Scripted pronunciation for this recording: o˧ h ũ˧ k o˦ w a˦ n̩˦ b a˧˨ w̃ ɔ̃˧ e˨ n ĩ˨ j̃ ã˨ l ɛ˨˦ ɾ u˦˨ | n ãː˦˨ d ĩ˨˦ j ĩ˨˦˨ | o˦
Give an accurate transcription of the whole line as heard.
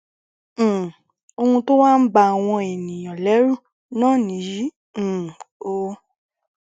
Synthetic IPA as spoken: o˧ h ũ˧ t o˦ w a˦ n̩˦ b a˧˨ w̃ ɔ̃˧ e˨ n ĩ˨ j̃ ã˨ l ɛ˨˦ ɾ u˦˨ | n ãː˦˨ n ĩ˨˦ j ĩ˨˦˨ | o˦